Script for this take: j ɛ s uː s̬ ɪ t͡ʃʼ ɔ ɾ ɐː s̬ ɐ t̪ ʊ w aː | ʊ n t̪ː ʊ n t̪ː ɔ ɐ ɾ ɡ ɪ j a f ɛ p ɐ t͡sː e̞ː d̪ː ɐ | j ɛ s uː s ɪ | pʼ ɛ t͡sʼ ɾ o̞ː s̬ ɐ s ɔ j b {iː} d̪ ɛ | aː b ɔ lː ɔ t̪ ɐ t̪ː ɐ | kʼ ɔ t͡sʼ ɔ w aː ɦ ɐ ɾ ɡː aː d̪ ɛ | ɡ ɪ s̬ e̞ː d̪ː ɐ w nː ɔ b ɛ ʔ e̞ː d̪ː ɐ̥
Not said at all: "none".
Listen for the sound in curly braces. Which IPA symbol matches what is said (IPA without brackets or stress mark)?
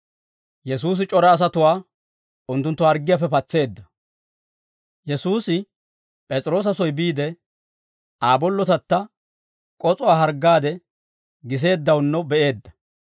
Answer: iː